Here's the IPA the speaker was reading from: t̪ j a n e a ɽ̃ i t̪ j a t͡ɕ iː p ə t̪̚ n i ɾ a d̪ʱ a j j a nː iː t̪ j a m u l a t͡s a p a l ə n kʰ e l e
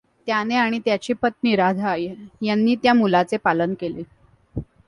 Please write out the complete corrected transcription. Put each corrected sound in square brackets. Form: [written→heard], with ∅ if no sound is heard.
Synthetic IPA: t̪ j a n e a ɽ̃ i t̪ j a t͡ɕ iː p ə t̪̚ n i ɾ a d̪ʱ a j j a nː iː t̪ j a m u l a t͡s [a→e] p a l ə n [kʰ→k] e l e